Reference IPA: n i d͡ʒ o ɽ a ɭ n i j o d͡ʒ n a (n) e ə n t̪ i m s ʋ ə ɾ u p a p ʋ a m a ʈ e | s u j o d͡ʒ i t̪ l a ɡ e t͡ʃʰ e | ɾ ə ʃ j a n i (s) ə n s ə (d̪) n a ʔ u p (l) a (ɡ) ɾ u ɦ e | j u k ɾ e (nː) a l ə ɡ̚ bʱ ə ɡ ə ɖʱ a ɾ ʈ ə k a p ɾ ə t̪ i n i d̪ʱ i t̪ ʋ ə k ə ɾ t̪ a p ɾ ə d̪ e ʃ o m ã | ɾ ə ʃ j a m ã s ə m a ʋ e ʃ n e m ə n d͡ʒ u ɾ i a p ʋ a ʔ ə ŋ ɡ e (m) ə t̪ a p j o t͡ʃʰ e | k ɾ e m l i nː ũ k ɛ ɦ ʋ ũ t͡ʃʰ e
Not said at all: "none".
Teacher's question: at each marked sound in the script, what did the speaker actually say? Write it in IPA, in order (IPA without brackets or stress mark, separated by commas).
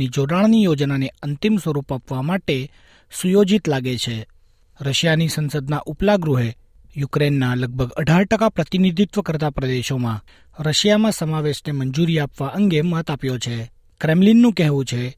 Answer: n, s, d̪, l, ɡ, nː, m